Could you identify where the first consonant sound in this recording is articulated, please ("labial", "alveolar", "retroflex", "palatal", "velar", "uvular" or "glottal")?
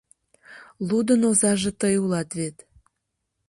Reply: alveolar